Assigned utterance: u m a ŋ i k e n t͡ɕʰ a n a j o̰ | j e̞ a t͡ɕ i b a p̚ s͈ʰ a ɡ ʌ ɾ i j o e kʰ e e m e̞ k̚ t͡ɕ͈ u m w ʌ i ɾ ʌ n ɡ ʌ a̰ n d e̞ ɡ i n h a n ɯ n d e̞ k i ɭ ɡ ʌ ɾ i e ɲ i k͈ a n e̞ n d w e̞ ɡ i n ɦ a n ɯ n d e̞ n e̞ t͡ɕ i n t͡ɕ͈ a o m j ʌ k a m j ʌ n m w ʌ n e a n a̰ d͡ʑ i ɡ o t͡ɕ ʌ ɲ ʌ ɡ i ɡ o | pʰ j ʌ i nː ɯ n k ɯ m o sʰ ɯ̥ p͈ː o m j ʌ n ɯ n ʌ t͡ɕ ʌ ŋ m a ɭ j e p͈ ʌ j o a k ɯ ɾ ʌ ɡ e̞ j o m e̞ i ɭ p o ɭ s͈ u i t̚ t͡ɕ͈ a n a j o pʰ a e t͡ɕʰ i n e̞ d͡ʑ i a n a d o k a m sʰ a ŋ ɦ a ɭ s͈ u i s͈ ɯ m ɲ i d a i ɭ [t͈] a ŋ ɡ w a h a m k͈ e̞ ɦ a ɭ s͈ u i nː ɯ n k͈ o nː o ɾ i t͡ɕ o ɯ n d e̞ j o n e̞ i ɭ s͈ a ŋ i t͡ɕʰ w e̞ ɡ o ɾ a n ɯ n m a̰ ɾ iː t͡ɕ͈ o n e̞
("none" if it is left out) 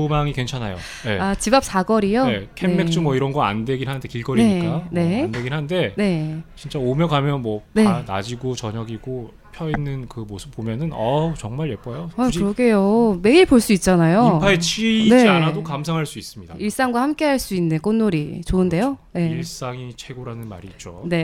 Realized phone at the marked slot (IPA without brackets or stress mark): s͈